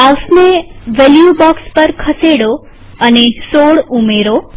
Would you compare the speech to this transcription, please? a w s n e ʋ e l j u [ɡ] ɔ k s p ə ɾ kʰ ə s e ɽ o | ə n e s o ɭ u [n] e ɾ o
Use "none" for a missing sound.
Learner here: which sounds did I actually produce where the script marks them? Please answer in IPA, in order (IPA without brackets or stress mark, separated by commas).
b, m